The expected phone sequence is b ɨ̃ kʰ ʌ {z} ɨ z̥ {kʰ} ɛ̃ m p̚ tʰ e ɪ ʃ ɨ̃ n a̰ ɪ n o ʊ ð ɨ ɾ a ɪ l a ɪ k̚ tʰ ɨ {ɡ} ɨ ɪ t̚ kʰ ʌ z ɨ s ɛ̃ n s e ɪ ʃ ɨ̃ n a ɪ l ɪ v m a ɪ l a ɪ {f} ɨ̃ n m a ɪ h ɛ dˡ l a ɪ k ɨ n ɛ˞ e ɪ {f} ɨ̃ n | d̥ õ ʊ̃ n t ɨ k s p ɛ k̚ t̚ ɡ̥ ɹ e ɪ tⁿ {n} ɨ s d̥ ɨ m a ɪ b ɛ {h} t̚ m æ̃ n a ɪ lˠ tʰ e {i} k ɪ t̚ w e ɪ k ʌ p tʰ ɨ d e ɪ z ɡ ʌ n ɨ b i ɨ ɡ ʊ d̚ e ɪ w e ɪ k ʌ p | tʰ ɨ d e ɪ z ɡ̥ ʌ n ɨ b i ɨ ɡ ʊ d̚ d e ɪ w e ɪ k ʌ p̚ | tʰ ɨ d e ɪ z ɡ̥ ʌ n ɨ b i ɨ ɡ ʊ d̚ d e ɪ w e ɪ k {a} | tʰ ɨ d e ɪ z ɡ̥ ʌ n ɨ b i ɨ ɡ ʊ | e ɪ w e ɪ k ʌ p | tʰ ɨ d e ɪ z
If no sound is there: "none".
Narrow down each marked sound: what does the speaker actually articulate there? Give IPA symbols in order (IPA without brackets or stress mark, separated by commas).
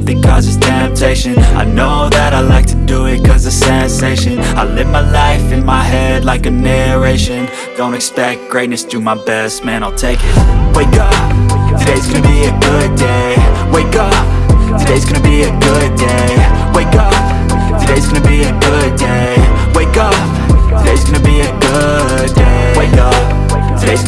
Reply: z, tʰ, d, f, ʃ, n, s, ɪ, ʌ